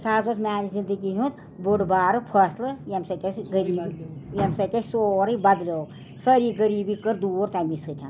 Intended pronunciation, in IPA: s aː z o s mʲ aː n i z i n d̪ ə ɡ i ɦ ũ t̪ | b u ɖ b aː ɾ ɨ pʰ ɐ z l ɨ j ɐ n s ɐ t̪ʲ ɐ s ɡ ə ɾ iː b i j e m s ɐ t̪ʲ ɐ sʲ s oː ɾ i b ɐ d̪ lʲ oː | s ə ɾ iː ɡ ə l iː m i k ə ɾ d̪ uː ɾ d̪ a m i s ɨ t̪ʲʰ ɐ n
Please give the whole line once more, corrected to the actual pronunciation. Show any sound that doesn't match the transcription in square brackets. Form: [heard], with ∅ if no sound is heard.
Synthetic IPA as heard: s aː z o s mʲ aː n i z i n d̪ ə ɡ i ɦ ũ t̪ | b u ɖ b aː ɾ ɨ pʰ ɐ [s] l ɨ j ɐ [m] s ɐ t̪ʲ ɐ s ɡ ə ɾ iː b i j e m s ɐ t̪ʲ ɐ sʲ s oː ɾ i b ɐ d̪ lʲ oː | s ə ɾ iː ɡ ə [ɾ] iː [b] i k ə ɾ d̪ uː ɾ [t̪] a m i s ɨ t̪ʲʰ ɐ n